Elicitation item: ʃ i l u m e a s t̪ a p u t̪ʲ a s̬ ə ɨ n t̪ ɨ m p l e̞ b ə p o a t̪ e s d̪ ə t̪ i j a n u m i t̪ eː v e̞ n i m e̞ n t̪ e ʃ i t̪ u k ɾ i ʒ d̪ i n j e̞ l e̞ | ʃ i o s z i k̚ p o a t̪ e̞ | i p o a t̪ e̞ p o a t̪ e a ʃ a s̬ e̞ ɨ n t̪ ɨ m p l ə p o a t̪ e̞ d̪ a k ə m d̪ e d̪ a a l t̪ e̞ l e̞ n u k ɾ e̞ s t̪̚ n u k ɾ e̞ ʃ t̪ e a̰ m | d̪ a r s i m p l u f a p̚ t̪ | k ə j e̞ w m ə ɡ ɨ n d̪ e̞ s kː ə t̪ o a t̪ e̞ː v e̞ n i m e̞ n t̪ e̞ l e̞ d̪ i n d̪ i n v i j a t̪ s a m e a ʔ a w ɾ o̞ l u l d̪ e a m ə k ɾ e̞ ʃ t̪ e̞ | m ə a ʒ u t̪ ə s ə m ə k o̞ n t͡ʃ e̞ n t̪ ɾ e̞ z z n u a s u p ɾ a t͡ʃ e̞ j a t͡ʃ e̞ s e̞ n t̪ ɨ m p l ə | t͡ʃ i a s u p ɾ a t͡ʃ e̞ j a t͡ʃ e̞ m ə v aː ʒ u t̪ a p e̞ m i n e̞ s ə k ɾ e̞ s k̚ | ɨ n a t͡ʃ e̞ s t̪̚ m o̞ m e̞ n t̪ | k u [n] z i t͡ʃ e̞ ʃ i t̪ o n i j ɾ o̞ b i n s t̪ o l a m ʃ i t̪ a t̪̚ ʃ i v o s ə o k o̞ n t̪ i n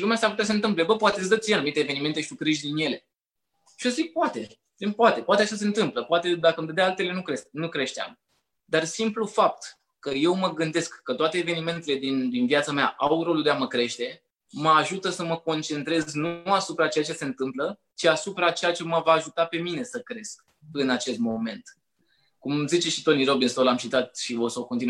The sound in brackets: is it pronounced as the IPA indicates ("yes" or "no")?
no